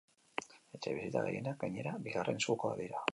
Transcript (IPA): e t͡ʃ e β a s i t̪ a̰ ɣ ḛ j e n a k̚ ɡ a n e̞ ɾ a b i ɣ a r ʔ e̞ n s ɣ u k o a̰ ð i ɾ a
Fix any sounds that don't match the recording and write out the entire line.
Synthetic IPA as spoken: e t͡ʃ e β i s i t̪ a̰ ɣ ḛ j e n a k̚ ɡ a ɲ e̞ ɾ a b i ɣ a r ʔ e̞ n s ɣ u k o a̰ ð i ɾ a